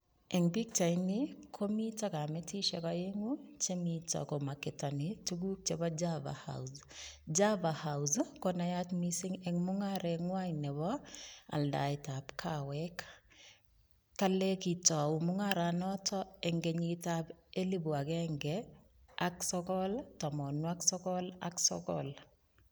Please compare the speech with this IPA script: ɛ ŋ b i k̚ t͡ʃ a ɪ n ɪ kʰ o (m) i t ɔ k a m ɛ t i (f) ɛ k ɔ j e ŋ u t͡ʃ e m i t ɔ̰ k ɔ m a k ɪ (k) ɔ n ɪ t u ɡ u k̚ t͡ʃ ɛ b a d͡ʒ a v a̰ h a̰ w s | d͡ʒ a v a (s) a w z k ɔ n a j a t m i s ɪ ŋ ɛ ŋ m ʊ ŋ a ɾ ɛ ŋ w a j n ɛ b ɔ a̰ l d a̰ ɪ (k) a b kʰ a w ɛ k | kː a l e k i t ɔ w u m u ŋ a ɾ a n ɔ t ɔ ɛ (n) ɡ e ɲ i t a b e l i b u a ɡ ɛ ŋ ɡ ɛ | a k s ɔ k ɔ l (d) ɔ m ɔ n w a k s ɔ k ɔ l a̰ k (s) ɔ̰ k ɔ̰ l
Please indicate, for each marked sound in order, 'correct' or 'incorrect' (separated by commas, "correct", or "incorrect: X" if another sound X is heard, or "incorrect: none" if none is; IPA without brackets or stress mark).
correct, incorrect: ʃ, incorrect: t, incorrect: h, incorrect: t, incorrect: ŋ, incorrect: t, correct